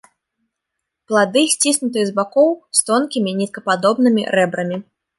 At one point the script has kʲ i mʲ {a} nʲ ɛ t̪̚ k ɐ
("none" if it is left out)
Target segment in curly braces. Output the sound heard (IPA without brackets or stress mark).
i